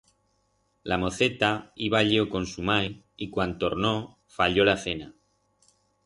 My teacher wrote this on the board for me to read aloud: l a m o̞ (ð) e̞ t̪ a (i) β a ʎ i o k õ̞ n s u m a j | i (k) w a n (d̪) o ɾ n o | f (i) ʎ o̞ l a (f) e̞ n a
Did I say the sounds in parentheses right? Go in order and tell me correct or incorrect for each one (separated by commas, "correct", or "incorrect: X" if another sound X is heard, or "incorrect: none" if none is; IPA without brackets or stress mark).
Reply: incorrect: θ, correct, correct, incorrect: t̪, incorrect: a, incorrect: θ